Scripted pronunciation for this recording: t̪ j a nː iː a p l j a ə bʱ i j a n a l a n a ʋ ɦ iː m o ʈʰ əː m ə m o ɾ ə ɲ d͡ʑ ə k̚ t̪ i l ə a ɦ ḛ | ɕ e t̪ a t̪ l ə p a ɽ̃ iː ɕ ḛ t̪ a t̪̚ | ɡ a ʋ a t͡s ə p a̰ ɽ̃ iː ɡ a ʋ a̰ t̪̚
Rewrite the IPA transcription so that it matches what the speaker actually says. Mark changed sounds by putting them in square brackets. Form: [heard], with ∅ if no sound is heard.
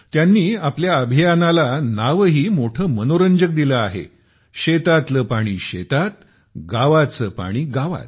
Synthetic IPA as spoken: t̪ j a nː iː a p l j a ə bʱ i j a n a l a n a ʋ ɦ iː m o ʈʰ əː m ə [n] o ɾ ə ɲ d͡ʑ ə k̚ [d̪] i l ə a ɦ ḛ | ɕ e t̪ a t̪ l ə p a ɽ̃ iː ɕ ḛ t̪ a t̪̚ | ɡ a ʋ a t͡s ə p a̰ ɽ̃ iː ɡ a ʋ a̰ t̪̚